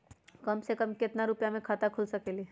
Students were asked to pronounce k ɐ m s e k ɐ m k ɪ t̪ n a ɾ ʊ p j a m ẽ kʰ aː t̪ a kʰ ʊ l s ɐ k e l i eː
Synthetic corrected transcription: k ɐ m s e k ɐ m k ɪ t̪ n a ɾ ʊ p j a m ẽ kʰ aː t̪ a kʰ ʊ l s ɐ k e l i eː